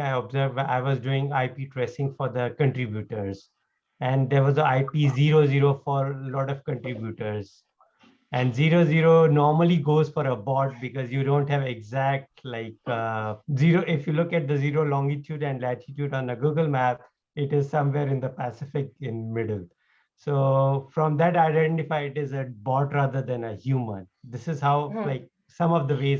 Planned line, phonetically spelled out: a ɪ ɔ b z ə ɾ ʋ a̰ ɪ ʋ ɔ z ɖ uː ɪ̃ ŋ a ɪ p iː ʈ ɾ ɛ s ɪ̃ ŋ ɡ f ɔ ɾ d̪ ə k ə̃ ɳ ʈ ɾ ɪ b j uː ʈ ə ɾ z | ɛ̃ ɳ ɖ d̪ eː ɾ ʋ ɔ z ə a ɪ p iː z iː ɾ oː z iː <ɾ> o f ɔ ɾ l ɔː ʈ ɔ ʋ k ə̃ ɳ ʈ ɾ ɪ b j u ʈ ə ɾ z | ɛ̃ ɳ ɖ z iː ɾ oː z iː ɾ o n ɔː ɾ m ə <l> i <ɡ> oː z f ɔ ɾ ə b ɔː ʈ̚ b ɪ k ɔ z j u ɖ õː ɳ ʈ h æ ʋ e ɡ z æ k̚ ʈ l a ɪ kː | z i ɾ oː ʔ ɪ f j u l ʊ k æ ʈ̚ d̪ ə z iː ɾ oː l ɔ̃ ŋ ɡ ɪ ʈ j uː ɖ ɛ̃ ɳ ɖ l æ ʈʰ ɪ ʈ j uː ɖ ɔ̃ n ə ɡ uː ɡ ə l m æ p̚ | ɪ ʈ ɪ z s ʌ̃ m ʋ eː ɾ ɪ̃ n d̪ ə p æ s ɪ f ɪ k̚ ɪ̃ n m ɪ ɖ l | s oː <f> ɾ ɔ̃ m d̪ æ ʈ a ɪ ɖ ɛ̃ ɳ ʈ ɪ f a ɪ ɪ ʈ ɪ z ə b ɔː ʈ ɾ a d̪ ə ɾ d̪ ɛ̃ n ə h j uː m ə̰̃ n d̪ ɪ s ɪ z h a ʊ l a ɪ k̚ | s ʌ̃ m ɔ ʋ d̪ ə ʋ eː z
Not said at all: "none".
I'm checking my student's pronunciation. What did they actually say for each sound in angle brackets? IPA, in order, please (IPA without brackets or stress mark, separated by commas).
ɾ, l, ɡ, f